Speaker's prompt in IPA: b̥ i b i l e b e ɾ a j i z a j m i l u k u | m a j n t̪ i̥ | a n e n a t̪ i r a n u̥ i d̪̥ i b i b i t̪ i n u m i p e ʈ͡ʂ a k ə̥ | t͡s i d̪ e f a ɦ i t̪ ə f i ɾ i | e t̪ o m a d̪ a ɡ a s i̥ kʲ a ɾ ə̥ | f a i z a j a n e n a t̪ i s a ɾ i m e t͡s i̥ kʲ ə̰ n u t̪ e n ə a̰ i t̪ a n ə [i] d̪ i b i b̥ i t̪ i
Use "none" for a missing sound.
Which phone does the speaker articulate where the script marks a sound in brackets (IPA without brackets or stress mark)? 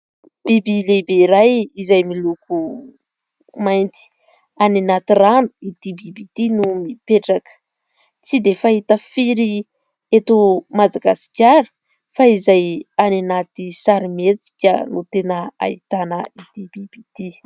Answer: i